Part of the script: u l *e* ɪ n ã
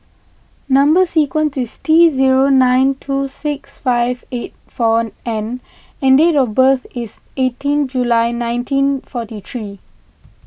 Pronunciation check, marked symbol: incorrect: a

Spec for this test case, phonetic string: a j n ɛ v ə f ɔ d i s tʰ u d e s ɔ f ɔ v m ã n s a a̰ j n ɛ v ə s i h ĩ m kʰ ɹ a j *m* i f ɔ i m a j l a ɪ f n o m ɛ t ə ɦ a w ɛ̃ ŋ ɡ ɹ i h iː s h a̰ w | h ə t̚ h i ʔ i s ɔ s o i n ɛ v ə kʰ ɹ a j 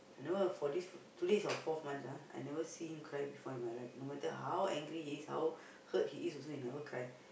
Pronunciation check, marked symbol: incorrect: b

